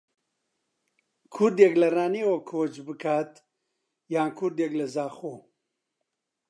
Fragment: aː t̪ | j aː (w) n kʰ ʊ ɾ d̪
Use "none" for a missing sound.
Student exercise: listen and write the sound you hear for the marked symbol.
none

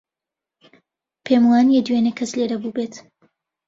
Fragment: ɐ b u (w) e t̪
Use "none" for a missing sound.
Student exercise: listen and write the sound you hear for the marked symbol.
b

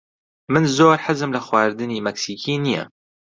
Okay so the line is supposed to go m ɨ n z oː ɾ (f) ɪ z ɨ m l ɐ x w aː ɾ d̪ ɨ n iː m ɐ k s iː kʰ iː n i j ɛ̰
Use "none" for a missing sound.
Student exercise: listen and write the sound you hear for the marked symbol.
ħ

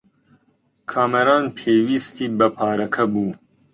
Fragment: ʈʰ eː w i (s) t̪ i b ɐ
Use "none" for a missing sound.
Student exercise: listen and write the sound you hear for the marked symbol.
s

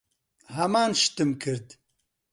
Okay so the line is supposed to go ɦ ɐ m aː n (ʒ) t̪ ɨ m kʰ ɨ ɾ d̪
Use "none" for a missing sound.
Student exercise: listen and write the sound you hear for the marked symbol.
ʃ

